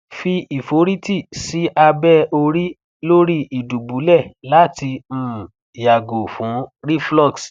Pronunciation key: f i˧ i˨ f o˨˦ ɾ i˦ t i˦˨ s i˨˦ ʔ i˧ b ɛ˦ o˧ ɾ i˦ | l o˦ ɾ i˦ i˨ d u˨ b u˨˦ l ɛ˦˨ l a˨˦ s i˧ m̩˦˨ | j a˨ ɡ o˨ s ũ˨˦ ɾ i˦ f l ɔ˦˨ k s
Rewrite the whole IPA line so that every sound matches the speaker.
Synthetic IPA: f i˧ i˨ f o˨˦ ɾ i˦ t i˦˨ s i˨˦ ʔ a˧ b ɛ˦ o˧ ɾ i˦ | l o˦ ɾ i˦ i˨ d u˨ b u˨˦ l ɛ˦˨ l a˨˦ t i˧ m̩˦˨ | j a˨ ɡ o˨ f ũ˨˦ ɾ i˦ f l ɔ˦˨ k s